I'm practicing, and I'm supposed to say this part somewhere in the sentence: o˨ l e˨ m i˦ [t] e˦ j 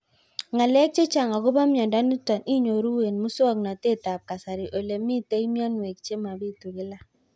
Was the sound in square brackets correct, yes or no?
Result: yes